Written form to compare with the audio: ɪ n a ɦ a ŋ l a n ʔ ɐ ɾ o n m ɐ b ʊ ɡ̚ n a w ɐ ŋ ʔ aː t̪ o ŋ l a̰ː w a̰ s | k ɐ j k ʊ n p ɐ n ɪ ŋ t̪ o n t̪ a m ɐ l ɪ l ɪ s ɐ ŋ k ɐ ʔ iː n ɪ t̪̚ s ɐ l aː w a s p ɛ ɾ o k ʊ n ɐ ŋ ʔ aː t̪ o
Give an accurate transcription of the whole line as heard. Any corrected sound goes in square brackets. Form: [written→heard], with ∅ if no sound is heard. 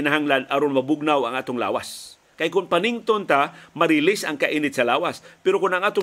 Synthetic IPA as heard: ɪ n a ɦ a ŋ l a n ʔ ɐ ɾ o n m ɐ b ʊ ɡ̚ n a w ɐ ŋ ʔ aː t̪ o ŋ l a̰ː w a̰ s | k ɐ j k ʊ n p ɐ n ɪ ŋ t̪ o n t̪ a m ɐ [l→ɾ] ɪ l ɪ s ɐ ŋ k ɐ ʔ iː n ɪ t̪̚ s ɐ l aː w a s p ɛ ɾ o k ʊ n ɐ ŋ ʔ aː t̪ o